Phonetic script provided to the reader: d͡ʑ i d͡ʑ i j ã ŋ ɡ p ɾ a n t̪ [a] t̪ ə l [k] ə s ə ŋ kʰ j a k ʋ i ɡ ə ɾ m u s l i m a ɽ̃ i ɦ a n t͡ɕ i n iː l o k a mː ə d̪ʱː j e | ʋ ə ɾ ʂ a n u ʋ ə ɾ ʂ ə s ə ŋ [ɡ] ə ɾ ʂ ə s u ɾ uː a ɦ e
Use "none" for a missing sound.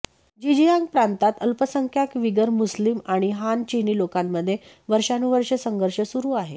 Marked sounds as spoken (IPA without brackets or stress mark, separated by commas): a, p, ɡ